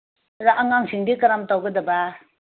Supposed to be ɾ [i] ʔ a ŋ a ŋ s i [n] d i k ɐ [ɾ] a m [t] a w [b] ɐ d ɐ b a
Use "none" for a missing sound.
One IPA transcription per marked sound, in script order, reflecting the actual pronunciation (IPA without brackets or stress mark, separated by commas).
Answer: a, ŋ, ɾ, t, ɡ